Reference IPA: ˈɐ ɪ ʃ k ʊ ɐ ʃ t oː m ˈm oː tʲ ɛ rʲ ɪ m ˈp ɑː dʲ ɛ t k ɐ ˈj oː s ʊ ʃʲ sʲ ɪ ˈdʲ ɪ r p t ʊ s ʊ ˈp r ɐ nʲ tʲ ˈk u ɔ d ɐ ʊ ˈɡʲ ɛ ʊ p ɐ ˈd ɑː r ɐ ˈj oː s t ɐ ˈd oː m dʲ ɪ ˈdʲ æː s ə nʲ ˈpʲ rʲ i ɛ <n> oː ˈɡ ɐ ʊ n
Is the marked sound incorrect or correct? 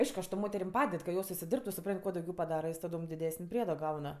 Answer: incorrect